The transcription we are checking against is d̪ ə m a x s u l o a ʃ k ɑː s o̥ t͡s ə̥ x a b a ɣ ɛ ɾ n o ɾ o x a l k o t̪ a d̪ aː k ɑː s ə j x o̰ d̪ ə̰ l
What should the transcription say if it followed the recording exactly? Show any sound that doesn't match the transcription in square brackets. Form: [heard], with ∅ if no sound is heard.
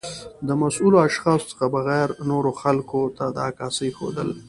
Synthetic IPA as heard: d̪ ə m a [∅] s u l o a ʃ [x] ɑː s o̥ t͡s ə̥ x a b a ɣ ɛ ɾ n o ɾ o x a l k o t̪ a d̪ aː k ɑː s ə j x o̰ d̪ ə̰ l